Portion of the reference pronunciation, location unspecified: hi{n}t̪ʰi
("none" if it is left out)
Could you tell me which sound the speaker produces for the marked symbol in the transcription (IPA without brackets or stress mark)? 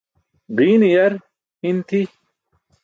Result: n